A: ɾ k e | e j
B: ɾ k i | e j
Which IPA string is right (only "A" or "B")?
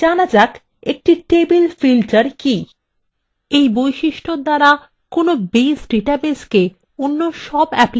B